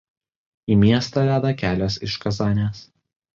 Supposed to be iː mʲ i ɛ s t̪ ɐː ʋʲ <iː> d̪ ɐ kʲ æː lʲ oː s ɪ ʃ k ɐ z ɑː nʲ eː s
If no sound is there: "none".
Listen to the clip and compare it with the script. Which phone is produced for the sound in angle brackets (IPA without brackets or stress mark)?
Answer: æː